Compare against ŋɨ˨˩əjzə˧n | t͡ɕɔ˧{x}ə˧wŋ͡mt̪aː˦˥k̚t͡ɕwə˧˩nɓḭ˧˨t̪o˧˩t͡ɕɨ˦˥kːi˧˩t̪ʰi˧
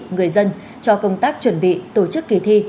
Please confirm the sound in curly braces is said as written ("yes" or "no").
no